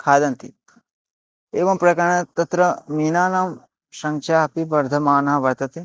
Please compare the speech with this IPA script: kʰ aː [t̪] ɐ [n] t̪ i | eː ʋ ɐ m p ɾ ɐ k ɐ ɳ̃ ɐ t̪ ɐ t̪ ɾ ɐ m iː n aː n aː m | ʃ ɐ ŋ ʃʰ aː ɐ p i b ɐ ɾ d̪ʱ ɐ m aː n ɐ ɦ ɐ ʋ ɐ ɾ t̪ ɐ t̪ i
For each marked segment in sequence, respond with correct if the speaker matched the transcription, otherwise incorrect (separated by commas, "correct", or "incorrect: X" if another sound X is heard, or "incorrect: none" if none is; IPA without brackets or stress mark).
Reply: incorrect: d̪, correct